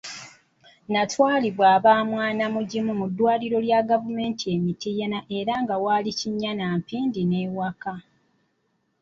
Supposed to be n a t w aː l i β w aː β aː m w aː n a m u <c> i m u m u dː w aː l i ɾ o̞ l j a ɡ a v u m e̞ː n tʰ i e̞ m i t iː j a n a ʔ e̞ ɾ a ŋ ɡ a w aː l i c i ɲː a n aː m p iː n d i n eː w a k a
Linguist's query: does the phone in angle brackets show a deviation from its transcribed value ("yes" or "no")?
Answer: yes